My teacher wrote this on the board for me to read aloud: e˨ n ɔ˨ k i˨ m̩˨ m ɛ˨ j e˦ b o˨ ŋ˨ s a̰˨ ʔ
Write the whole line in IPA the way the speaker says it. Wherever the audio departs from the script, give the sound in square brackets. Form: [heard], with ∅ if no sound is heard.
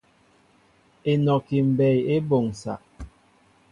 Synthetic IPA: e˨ n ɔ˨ k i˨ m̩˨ [b] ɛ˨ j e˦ b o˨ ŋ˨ s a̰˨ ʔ